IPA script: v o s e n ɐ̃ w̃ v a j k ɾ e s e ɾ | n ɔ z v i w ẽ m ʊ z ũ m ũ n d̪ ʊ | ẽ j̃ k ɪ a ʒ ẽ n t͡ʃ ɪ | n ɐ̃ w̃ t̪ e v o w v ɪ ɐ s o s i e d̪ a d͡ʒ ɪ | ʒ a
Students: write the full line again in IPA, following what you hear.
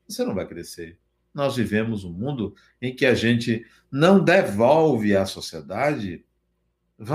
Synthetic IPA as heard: v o s e n ɐ̃ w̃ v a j k ɾ e s e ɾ | n ɔ z v i v ẽ m ʊ z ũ m ũ n d̪ ʊ | ẽ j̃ k ɪ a ʒ ẽ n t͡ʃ ɪ | n ɐ̃ w̃ d̪ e v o w v ɪ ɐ s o s i e d̪ a d͡ʒ ɪ | v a